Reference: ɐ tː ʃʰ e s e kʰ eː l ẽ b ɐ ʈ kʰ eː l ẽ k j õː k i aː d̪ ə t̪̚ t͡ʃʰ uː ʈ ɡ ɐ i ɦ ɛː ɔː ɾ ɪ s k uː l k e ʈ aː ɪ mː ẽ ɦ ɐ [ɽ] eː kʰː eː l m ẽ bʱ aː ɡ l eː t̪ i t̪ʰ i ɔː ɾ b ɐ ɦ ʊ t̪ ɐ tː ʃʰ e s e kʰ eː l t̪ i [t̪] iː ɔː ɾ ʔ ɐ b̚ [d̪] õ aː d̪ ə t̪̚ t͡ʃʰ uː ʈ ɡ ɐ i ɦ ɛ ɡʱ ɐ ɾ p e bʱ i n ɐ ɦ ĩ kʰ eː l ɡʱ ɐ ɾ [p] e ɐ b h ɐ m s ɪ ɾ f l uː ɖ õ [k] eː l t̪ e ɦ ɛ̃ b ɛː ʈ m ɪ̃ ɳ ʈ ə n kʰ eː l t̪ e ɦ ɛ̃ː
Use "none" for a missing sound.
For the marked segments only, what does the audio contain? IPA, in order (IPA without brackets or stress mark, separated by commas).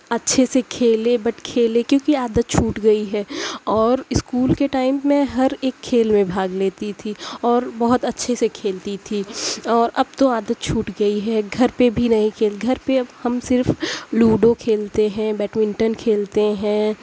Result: ɾ, t̪ʰ, t̪, p, kʰ